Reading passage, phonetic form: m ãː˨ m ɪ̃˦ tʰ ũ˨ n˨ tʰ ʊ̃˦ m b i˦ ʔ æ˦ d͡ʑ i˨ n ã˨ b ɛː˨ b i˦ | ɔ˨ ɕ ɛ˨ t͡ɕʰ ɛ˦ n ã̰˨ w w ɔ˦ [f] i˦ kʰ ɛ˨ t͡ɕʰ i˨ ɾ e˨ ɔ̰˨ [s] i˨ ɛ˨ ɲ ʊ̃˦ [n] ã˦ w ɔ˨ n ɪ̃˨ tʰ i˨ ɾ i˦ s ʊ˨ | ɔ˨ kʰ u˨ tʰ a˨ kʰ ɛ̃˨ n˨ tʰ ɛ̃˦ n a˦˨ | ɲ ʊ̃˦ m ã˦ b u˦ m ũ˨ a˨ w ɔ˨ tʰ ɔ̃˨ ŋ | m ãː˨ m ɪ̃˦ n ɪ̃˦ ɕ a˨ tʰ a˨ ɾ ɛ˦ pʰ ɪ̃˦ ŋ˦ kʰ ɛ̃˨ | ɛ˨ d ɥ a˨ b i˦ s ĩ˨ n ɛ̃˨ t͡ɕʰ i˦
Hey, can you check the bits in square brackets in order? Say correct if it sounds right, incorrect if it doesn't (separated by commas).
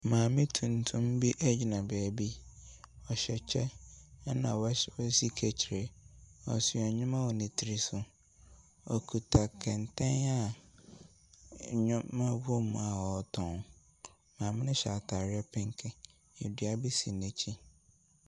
incorrect, correct, incorrect